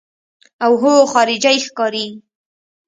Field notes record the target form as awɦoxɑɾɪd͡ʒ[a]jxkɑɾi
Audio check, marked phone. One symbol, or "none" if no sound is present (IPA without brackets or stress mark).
a